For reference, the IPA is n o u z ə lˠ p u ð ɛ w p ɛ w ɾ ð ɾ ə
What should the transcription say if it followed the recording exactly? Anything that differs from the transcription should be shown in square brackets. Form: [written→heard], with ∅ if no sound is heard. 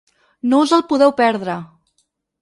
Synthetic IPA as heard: n o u z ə lˠ p u ð ɛ w p ɛ [w→∅] ɾ ð ɾ ə